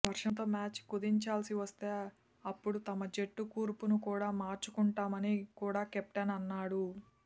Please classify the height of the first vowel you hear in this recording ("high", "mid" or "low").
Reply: low